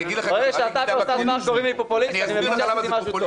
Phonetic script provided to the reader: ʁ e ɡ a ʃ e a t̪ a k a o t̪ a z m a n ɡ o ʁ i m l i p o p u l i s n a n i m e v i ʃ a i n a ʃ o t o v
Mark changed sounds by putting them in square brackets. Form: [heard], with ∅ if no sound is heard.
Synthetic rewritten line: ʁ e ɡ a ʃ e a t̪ a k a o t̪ a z m a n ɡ o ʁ i m l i p o p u l i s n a n i m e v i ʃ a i [m] a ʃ [u] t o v